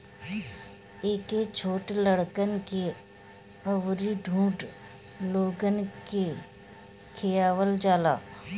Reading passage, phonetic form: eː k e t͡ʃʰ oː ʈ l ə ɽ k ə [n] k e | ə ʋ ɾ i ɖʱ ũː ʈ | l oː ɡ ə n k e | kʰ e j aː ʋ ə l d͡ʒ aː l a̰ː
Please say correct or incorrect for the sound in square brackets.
correct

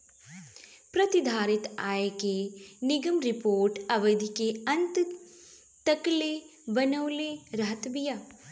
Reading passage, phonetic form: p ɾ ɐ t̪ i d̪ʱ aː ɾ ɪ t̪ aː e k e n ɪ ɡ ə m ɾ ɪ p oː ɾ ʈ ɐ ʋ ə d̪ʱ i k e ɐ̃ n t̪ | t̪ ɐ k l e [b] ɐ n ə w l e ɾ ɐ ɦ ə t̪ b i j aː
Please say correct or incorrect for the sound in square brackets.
correct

